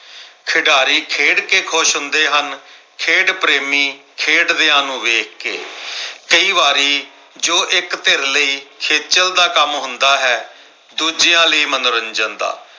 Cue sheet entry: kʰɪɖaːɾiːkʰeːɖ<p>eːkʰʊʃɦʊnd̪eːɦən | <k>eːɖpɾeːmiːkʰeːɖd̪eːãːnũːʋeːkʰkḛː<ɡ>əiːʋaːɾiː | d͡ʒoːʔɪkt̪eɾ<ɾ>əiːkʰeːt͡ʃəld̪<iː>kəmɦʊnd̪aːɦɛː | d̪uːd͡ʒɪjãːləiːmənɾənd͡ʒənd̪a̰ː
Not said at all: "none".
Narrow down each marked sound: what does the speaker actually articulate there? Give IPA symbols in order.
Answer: k, kʰ, k, l, aː

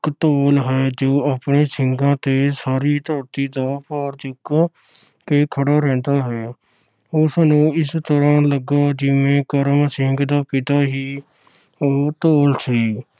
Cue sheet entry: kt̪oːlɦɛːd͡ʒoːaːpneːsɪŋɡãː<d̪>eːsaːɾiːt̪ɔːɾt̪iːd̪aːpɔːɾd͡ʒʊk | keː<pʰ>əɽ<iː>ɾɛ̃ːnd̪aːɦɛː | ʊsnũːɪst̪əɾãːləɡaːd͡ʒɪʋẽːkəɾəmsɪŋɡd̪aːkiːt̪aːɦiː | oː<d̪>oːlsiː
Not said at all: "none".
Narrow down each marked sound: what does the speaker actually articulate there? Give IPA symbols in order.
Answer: t̪, kʰ, aː, t̪

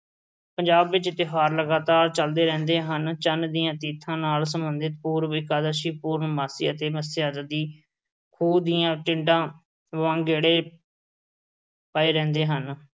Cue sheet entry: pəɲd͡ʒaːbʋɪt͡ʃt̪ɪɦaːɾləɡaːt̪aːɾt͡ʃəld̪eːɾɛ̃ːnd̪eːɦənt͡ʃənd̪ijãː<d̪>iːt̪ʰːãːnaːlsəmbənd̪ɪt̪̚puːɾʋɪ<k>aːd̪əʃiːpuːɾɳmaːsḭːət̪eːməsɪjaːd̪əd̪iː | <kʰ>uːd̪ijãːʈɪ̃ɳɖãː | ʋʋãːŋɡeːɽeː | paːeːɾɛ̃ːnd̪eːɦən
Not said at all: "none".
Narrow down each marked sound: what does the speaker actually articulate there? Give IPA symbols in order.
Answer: t̪, k, kʰ

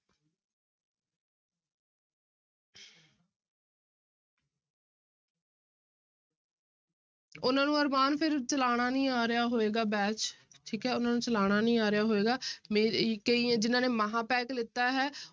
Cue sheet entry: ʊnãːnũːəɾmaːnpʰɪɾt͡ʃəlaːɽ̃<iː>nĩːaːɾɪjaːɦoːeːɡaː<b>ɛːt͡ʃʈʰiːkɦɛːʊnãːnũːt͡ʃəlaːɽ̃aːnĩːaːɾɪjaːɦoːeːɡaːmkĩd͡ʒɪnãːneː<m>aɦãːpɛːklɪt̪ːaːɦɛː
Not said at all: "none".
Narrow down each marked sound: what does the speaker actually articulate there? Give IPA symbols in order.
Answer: aː, b, m

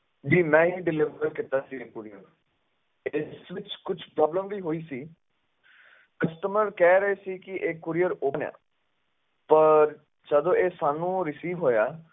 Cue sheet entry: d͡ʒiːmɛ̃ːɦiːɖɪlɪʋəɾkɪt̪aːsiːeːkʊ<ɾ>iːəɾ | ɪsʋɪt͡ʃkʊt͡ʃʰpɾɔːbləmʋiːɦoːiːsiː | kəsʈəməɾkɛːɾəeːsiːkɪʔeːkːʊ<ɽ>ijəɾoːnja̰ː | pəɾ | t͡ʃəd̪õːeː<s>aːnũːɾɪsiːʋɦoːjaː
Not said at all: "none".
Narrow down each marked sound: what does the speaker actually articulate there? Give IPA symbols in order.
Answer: ɾ, ɾ, s

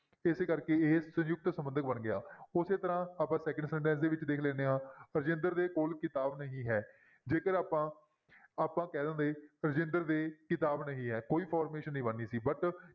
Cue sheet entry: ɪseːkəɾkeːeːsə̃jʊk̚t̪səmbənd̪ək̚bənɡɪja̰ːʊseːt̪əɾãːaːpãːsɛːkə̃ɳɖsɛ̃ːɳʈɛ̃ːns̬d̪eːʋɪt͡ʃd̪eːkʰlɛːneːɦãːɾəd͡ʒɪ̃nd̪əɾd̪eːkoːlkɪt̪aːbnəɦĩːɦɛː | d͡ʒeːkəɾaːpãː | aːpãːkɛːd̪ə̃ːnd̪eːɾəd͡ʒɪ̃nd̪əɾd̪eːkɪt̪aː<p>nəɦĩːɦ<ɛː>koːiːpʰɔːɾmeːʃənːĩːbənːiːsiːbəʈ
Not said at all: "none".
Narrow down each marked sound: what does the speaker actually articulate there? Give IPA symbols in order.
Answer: b, ɛː

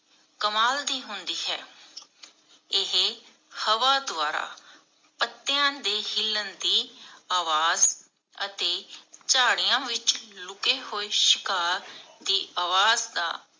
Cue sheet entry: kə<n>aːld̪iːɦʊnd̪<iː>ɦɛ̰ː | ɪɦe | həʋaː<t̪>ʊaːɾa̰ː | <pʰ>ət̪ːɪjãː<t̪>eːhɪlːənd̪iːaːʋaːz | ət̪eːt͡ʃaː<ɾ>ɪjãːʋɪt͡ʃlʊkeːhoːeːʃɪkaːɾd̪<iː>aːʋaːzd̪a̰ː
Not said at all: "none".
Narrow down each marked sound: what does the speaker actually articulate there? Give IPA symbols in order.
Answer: m, iː, d̪, p, d̪, ɽ, iː

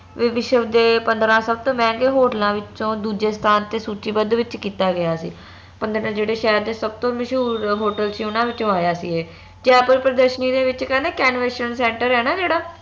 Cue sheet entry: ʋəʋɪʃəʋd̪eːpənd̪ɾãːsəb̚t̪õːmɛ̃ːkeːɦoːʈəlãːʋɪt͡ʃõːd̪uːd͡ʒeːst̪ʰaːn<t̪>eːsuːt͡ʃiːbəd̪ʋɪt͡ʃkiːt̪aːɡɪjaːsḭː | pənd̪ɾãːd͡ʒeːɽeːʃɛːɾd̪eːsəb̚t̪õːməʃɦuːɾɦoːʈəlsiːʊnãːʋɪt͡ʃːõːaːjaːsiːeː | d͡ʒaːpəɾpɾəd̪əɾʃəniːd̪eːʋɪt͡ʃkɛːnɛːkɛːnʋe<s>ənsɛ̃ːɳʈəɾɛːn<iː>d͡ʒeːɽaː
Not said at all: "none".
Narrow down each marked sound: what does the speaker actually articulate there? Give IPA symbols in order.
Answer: t̪, ʃ, aː

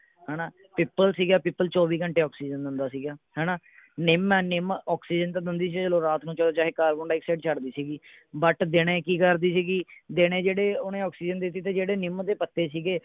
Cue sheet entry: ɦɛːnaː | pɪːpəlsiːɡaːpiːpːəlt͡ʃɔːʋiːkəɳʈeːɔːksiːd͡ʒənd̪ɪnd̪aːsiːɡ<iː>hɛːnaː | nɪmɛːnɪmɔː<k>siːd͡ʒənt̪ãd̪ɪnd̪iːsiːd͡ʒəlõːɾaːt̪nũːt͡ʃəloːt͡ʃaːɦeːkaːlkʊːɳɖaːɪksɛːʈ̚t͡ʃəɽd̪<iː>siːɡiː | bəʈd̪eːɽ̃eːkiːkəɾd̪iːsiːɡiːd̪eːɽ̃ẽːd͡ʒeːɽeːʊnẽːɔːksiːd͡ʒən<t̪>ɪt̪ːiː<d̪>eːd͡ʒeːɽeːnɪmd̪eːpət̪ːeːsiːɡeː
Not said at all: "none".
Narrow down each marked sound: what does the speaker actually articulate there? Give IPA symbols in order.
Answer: aː, k, iː, d̪, t̪

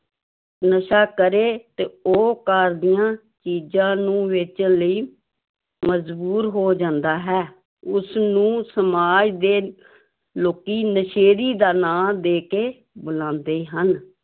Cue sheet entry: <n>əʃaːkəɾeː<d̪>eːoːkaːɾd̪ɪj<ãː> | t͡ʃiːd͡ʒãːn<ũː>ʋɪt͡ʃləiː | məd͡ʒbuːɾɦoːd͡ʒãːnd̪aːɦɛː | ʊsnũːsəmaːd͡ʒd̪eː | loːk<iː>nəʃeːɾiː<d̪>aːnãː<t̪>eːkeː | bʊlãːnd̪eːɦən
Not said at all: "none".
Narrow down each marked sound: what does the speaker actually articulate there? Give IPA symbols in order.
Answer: n, t̪, ãː, ũː, iː, d̪, d̪

